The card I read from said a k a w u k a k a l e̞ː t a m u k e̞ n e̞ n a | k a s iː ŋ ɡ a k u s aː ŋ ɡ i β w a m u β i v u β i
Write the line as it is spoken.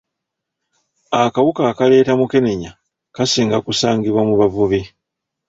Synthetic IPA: a k a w u k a k a l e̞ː t a m u k e̞ n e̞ ɲ a | k a s iː ŋ ɡ a k u s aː ŋ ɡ i β w a m u β a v u β i